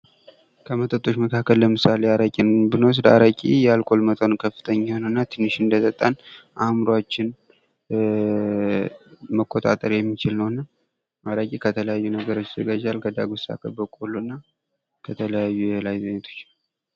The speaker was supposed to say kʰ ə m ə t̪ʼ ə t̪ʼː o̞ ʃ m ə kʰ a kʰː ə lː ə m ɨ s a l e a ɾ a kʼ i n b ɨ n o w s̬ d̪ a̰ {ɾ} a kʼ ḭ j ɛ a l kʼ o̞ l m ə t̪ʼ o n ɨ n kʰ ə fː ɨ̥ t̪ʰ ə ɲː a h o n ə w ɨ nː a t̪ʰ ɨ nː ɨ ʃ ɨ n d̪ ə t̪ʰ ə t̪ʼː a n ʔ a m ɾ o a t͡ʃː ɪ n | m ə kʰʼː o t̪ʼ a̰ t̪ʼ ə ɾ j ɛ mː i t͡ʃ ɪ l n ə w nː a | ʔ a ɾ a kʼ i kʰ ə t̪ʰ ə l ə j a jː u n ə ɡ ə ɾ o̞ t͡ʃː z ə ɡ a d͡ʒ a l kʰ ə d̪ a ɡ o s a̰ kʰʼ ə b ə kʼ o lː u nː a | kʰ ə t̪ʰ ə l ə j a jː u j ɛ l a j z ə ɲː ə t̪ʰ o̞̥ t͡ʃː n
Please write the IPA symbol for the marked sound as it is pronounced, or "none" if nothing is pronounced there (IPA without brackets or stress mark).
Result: ɾ